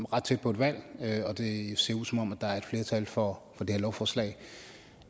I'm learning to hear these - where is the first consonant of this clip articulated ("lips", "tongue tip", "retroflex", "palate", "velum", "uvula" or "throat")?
uvula